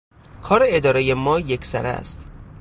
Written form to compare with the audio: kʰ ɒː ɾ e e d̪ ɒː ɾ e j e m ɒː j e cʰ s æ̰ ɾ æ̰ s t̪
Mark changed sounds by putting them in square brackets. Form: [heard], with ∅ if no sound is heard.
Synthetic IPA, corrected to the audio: kʰ ɒː ɾ e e d̪ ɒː ɾ e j e m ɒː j e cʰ s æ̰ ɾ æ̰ s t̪